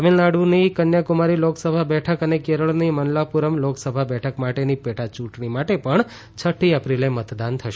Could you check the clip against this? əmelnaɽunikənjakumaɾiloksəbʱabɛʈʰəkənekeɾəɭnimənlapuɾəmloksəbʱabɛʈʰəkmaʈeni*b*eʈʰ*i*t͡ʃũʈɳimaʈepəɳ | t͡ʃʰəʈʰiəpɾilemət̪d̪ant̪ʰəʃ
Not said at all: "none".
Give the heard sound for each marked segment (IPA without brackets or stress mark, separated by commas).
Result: p, a